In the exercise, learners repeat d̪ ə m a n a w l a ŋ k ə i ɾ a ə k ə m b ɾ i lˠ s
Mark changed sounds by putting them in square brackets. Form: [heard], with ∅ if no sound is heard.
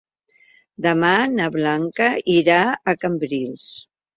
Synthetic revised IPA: d̪ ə m a n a [β] l a ŋ k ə i ɾ a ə k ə m b ɾ i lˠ s